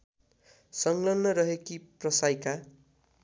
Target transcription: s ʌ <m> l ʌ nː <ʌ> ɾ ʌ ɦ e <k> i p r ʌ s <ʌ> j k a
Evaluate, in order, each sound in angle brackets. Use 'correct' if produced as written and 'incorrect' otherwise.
incorrect: ŋ, correct, correct, incorrect: a

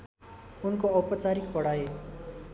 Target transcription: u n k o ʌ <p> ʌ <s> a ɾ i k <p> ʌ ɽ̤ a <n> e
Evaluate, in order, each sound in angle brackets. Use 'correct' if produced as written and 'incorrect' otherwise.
correct, incorrect: t͡s, correct, incorrect: none

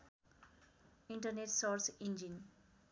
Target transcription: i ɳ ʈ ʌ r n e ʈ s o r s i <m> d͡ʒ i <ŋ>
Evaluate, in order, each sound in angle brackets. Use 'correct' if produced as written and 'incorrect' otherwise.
incorrect: n, incorrect: n

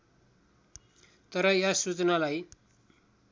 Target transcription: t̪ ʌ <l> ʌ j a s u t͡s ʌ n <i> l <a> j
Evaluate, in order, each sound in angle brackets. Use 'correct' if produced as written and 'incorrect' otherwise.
incorrect: ɾ, incorrect: a, correct

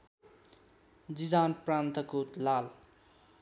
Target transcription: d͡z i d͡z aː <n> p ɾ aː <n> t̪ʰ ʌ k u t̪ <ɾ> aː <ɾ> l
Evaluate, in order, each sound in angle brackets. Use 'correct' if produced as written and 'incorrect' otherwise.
correct, correct, incorrect: l, incorrect: none

